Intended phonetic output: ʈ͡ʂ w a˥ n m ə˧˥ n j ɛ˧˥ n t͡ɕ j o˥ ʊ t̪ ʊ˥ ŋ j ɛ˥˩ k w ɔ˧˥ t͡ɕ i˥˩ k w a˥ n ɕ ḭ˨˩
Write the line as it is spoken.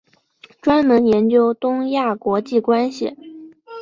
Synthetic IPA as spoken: ʈ͡ʂ w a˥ n m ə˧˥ n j ɛ˧˥ n t͡ɕ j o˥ ʊ t̪ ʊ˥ ŋ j a˥˩ k w ɔ˧˥ t͡ɕ i˥˩ k w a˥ n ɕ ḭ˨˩